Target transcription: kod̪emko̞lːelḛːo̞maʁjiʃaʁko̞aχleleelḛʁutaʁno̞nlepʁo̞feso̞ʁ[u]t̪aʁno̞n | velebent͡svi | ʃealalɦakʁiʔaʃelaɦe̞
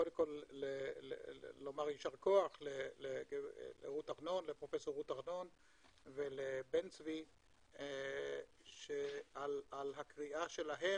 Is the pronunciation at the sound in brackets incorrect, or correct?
correct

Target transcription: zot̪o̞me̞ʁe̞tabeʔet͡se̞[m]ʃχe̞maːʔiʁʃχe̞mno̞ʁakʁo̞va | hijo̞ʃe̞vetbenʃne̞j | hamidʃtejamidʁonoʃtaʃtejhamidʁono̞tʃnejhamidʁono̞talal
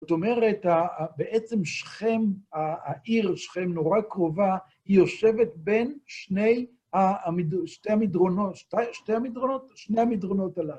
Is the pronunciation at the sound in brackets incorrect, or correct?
correct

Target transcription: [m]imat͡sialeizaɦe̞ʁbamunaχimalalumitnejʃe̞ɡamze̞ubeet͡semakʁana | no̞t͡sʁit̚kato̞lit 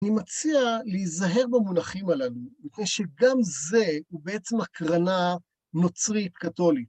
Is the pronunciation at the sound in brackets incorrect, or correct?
incorrect: n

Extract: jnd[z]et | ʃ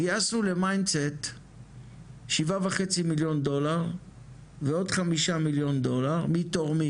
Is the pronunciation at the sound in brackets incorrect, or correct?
incorrect: s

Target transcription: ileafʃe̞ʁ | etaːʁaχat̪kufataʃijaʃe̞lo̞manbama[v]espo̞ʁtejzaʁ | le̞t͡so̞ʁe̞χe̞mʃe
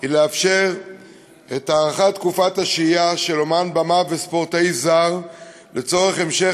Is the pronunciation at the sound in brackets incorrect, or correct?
correct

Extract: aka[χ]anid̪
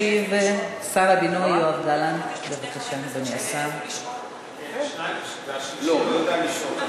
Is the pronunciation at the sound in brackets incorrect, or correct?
incorrect: ʃ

